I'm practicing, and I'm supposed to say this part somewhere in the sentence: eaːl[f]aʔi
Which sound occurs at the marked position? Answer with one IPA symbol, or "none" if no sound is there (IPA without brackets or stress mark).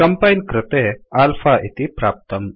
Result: f